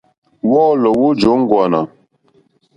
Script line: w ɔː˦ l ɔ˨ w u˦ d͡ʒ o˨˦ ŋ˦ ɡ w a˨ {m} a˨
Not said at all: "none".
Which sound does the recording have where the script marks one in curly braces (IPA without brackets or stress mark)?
n